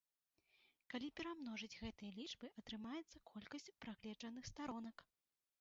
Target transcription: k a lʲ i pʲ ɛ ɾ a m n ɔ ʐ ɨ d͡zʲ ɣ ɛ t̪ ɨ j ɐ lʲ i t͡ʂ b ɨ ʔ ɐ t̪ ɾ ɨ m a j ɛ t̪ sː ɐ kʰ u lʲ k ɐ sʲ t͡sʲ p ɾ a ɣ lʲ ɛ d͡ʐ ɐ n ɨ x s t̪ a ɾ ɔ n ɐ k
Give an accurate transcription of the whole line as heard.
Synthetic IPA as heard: k a lʲ i pʲ ɛ ɾ a m n ɔ ʐ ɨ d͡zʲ ɣ ɛ t̪ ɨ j ɐ lʲ i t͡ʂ b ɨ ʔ ɐ t̪ ɾ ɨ m a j ɛ t̪ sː ɐ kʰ ɔ lʲ k ɐ sʲ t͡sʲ p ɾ a ɣ lʲ ɛ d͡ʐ ɐ n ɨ x s t̪ a ɾ ɔ n ɐ k